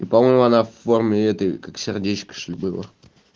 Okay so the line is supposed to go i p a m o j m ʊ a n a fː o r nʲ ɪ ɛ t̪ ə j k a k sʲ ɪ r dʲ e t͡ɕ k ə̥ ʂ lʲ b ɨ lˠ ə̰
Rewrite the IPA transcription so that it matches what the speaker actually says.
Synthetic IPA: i p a m o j m ʊ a n a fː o r mʲ ɪ ɛ t̪ ə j k a k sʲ ɪ r dʲ e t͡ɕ k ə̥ ʂ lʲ b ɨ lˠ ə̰

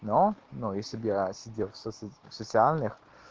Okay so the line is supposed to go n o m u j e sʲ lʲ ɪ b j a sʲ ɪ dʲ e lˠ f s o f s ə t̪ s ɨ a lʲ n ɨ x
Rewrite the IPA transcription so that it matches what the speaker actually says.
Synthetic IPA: n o n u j e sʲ lʲ ɪ b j a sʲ ɪ dʲ e lˠ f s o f s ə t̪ s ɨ a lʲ n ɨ x

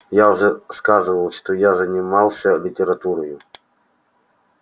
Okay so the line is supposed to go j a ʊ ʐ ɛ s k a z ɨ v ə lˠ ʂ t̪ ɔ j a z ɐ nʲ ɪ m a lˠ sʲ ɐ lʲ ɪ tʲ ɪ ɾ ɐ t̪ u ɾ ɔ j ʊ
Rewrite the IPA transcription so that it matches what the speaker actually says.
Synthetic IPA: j a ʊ ʐ ɛ s k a z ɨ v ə lˠ ʂ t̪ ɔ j a z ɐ nʲ ɪ m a lˠ sʲ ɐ lʲ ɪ tʲ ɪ ɾ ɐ t̪ u ɾ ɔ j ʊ

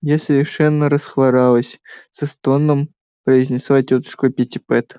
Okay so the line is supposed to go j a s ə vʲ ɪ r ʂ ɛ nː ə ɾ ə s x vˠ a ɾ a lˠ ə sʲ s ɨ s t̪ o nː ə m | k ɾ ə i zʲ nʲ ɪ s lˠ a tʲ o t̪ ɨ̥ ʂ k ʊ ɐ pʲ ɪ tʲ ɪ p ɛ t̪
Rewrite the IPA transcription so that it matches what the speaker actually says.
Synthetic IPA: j a s ə vʲ ɪ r ʂ ɛ nː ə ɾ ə s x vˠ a ɾ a lˠ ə sʲ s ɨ s t̪ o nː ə m | p ɾ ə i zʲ nʲ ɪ s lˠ a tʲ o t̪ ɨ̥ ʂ k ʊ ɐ pʲ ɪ tʲ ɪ p ɛ t̪

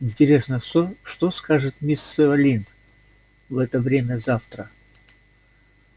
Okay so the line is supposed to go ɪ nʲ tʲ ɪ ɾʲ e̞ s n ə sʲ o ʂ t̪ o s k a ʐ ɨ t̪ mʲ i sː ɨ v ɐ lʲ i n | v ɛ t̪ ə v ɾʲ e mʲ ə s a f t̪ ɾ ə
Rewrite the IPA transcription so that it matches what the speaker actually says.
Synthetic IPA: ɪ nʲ tʲ ɪ ɾʲ e̞ s n ə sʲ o ʂ t̪ o s k a ʐ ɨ t̪ mʲ i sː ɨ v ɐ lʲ i n | v ɛ t̪ ə v ɾʲ e mʲ ə z a f t̪ ɾ ə

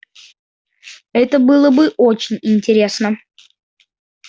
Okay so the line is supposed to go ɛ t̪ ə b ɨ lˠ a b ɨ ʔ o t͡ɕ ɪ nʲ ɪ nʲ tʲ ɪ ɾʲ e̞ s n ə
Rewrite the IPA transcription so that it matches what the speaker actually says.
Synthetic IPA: ɛ t̪ ə b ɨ lˠ ə b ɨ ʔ o t͡ɕ ɪ nʲ ɪ nʲ tʲ ɪ ɾʲ e̞ s n ə

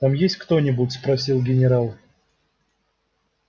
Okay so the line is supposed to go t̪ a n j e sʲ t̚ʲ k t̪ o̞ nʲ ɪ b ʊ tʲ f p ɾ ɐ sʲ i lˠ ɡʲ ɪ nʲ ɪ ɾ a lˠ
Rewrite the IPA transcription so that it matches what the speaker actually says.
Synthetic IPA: t̪ a m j e sʲ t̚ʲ k t̪ o̞ nʲ ɪ b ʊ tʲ s p ɾ ɐ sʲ i lˠ ɡʲ ɪ nʲ ɪ ɾ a lˠ

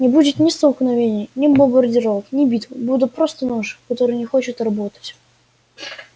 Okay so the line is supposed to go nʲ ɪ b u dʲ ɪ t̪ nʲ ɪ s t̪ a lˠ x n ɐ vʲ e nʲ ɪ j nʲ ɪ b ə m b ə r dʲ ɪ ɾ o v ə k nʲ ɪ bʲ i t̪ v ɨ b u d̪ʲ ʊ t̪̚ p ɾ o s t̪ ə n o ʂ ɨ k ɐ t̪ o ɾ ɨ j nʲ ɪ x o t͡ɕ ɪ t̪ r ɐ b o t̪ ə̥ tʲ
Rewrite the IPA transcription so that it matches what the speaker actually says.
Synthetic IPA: nʲ ɪ b u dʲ ɪ t̪ nʲ ɪ s t̪ ə lˠ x n ɐ vʲ e nʲ ɪ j nʲ ɪ b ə m b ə r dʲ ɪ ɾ o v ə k nʲ ɪ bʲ i t̪ v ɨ b u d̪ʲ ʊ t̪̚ p ɾ o s t̪ ə n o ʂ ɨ k ɐ t̪ o ɾ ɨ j nʲ ɪ x o t͡ɕ ɪ t̪ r ɐ b o t̪ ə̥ tʲ

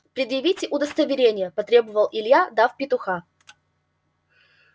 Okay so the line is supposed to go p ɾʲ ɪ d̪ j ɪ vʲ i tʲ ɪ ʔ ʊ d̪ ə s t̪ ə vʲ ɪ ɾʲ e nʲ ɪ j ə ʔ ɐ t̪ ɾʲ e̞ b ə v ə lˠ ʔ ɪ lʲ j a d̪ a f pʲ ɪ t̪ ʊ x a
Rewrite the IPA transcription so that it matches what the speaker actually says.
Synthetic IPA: p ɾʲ ɪ d̪ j ɪ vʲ i tʲ ɪ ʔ ʊ d̪ ə s t̪ ə vʲ ɪ ɾʲ e nʲ ɪ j ə p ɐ t̪ ɾʲ e̞ b ə v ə lˠ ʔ ɪ lʲ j a d̪ a f pʲ ɪ t̪ ʊ x a

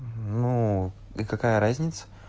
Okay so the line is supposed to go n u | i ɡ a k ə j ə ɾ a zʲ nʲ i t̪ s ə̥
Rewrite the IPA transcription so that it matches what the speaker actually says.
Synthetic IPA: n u | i k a k a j ə ɾ a zʲ nʲ ɪ t̪ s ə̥

